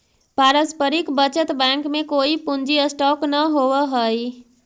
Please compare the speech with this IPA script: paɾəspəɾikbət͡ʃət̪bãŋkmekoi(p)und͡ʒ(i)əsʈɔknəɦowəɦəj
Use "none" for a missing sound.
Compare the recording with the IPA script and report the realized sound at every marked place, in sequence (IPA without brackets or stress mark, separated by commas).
p, i